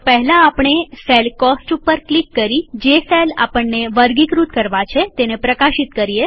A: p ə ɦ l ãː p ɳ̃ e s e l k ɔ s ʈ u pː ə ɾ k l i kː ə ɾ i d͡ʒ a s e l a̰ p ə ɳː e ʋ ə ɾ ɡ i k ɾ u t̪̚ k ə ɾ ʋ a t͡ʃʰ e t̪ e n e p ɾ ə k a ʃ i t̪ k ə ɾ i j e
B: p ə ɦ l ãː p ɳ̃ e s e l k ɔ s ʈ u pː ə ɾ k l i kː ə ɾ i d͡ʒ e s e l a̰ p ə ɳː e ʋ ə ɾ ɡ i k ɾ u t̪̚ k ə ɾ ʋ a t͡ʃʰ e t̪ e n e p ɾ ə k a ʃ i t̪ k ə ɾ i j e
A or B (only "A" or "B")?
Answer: B